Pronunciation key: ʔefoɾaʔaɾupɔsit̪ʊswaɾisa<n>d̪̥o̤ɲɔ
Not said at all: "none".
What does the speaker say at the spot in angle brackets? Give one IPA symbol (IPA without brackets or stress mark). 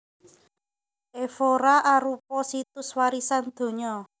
n